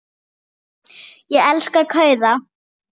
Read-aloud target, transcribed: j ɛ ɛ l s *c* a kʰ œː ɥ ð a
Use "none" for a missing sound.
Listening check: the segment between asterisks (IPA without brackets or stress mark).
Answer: k